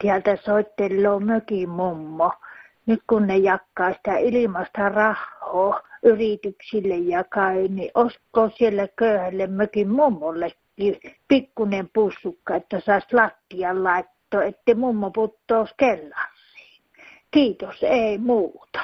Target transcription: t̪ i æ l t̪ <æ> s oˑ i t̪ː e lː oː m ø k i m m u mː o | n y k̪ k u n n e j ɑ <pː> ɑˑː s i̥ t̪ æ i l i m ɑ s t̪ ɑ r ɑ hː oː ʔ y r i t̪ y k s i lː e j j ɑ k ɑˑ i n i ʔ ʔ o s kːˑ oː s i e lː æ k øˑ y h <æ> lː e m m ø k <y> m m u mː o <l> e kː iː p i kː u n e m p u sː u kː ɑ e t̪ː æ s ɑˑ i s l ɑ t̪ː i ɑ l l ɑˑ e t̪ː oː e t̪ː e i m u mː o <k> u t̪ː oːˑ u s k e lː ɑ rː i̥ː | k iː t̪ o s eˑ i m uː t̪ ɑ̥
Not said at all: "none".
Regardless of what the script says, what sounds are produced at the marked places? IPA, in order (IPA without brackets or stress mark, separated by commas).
æ, kː, æ, i, lː, p